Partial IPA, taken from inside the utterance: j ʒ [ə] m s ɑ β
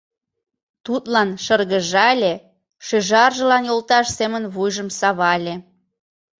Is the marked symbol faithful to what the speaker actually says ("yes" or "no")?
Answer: yes